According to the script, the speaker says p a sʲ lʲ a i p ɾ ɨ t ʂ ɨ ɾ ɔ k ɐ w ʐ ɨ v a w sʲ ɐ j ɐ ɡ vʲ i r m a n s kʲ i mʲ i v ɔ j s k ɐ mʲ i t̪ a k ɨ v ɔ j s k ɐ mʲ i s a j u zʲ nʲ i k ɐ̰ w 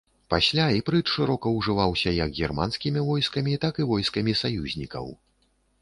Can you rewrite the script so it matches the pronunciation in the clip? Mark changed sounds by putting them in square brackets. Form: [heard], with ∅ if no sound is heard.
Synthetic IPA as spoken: p a sʲ lʲ a i p ɾ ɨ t ʂ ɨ ɾ ɔ k ɐ w ʐ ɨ v a w sʲ ɐ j ɐ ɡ [ɣʲ] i r m a n s kʲ i mʲ i v ɔ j s k ɐ mʲ i t̪ a k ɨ v ɔ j s k ɐ mʲ i s a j u zʲ nʲ i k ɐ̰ w